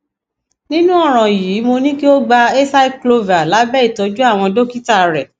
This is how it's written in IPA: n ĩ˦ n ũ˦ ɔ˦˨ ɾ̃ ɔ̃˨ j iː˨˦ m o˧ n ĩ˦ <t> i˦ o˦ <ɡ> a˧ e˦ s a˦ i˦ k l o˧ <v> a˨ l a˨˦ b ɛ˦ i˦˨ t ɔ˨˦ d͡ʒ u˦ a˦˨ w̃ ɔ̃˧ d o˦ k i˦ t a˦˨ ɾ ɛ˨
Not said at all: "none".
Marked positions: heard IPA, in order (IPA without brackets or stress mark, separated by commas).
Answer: k, ɡ͡b, v